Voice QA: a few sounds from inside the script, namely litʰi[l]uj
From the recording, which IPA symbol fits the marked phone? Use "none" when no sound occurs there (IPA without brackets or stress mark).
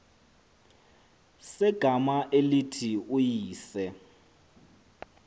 none